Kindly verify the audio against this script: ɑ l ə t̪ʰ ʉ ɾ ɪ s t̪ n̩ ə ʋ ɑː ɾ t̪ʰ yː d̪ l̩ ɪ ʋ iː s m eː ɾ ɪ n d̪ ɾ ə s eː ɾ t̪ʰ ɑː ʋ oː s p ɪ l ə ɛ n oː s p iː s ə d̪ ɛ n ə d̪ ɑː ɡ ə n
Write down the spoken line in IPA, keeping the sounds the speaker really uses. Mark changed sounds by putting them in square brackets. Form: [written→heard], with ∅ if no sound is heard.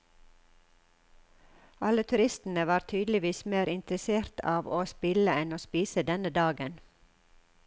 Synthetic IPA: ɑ l ə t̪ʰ ʉ ɾ ɪ s t̪ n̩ ə ʋ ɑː ɾ t̪ʰ yː d̪ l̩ ɪ ʋ iː s m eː ɾ ɪ n [d̪→t̪] ɾ ə s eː ɾ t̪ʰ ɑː ʋ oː s p ɪ l ə ɛ n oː s p iː s ə d̪ ɛ n ə d̪ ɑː ɡ ə n